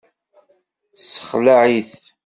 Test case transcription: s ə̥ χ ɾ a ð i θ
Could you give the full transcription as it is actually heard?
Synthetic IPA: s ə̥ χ l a ʕ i θ